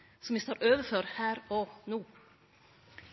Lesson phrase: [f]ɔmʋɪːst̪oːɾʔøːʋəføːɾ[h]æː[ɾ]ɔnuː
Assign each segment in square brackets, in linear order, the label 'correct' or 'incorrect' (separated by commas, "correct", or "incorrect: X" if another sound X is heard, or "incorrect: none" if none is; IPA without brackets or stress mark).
incorrect: s, correct, correct